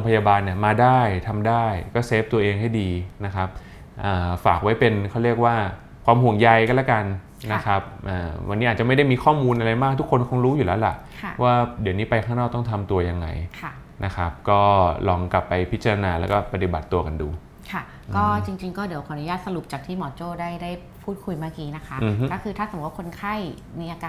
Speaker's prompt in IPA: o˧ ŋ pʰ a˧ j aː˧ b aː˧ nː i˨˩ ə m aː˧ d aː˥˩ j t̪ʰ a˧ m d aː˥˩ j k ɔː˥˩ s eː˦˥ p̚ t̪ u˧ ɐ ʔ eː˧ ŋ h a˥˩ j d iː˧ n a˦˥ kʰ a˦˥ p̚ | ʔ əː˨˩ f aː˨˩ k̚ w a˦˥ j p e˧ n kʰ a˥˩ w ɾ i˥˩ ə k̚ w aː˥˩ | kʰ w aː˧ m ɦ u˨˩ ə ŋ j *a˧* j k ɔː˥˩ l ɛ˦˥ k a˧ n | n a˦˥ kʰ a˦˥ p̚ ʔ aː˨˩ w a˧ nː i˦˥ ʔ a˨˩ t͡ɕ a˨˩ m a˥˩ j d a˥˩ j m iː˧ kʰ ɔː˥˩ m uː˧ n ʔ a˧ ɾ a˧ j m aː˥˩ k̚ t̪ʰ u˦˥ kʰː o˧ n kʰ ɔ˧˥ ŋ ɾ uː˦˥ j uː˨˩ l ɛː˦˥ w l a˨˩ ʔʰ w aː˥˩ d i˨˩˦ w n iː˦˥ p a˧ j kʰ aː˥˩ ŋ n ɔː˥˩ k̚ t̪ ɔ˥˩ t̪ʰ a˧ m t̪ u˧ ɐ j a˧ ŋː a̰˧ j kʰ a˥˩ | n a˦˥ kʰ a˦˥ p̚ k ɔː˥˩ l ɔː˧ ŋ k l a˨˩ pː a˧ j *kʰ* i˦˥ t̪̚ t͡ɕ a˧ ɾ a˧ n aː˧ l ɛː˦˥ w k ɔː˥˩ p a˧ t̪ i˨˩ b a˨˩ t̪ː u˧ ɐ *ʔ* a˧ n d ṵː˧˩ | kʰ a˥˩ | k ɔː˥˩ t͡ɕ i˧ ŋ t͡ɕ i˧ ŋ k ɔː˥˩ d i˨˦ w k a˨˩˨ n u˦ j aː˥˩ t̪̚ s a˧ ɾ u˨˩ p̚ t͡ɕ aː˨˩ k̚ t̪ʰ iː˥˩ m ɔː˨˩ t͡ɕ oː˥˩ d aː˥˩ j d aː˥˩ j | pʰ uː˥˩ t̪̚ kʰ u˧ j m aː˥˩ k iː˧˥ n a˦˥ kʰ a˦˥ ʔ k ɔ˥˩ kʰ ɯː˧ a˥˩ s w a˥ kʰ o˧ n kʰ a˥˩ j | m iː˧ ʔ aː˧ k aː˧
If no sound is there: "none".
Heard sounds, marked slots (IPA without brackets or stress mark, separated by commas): a˧, pʰ, k